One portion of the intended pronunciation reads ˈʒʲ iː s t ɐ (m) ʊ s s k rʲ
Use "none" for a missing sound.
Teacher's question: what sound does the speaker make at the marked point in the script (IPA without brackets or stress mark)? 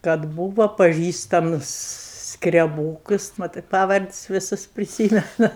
m